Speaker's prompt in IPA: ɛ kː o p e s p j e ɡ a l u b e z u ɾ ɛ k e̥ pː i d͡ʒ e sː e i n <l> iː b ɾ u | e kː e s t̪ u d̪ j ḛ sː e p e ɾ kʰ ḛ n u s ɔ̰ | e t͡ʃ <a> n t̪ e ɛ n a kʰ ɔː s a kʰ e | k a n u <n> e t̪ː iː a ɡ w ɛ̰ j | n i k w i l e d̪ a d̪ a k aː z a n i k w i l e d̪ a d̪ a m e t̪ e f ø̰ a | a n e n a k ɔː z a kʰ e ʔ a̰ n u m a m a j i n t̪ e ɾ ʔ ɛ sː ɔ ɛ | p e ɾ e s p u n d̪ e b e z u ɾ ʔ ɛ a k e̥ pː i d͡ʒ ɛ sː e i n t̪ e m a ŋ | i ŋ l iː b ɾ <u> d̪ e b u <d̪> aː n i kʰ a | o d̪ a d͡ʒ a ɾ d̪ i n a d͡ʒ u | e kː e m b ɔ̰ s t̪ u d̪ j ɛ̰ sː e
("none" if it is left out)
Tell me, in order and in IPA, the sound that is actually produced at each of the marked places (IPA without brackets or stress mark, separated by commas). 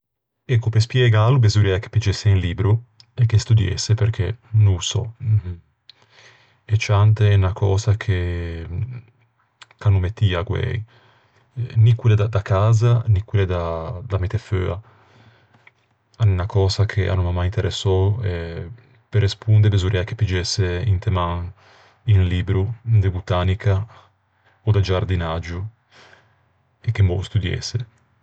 l, a, m, u, t̪